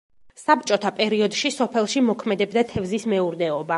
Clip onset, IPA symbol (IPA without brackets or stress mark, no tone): s